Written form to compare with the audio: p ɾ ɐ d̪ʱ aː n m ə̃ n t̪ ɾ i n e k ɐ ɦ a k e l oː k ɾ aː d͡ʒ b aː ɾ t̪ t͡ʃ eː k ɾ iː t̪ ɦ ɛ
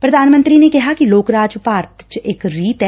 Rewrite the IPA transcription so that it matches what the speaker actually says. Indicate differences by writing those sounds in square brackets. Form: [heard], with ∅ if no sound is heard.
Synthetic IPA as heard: p ɾ ɐ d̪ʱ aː n m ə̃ n t̪ ɾ i n e k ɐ ɦ a k [i] l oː k ɾ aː d͡ʒ [p] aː ɾ t̪ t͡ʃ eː k ɾ iː t̪ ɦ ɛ